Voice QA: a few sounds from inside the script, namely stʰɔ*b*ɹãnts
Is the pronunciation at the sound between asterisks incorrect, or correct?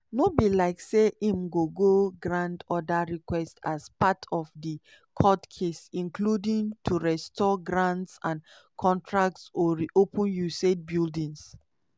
incorrect